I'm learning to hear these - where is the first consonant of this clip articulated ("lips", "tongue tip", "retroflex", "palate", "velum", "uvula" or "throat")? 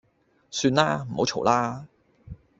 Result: tongue tip